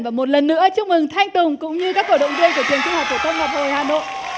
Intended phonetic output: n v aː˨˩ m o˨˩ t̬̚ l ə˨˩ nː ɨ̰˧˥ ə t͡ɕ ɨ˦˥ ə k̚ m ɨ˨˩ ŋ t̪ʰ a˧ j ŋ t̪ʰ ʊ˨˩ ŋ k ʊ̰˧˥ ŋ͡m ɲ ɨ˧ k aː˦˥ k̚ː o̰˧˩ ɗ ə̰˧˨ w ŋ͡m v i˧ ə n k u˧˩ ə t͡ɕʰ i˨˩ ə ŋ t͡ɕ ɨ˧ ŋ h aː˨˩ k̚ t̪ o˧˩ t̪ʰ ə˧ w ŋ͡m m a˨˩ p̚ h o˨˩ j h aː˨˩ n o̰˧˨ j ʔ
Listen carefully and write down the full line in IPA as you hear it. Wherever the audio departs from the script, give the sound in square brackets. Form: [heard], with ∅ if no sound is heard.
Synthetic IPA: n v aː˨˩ m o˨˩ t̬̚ l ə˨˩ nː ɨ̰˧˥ ə t͡ɕ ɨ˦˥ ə k̚ m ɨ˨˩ ŋ t̪ʰ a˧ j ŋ [t̪] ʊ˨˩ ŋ k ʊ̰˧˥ ŋ͡m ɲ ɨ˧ k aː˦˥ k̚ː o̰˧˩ ɗ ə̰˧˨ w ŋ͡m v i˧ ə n k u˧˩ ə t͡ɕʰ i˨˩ ə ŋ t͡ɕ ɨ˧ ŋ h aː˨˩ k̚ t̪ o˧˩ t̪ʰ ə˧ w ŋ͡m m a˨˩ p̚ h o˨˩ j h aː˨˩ n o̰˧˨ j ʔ